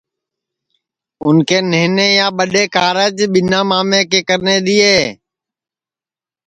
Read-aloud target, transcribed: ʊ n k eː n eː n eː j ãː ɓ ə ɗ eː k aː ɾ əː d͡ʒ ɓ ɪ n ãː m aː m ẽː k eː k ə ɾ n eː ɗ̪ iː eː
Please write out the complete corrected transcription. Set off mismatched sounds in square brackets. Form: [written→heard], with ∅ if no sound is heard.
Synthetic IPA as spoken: ʊ n k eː n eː n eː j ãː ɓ ə ɗ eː k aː ɾ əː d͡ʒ ɓ ɪ n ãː m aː m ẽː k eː k ə ɾ n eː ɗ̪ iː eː